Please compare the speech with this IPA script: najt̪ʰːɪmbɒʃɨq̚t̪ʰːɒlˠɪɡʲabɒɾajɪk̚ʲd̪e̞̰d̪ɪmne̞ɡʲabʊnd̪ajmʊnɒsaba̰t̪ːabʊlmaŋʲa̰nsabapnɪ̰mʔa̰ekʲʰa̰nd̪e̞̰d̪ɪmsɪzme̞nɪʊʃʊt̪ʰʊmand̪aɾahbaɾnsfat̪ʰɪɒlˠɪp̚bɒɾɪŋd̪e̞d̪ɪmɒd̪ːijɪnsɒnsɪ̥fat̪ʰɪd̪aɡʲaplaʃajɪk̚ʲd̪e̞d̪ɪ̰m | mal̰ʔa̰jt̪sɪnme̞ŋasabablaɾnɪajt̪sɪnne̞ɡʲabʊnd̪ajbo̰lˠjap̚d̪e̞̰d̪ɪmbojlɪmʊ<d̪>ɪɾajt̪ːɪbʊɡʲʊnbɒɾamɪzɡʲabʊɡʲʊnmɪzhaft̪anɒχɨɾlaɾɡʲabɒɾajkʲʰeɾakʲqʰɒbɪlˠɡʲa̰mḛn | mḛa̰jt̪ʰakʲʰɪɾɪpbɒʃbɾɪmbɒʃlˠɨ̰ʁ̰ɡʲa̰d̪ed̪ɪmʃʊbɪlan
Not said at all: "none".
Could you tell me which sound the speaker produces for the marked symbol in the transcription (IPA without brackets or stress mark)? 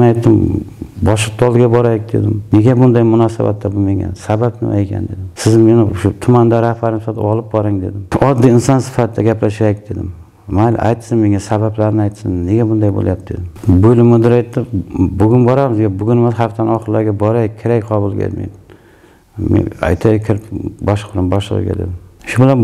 d̪